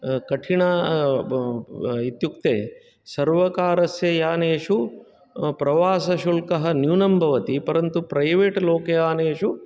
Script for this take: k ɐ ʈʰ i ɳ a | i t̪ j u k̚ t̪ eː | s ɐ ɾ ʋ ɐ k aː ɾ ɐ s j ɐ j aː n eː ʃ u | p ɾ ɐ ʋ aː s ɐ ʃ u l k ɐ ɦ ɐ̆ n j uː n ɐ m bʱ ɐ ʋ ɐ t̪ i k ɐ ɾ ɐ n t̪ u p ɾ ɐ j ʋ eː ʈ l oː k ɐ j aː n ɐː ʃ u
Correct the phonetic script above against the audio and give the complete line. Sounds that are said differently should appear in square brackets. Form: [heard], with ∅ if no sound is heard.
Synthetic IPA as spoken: k ɐ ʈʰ i ɳ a | i t̪ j u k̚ t̪ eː | s ɐ ɾ ʋ ɐ k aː ɾ ɐ s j ɐ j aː n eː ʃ u | p ɾ ɐ ʋ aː s ɐ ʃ u l k ɐ ɦ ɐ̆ n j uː n ɐ m bʱ ɐ ʋ ɐ t̪ i [p] ɐ ɾ ɐ n t̪ u p ɾ ɐ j ʋ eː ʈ l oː k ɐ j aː n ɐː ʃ u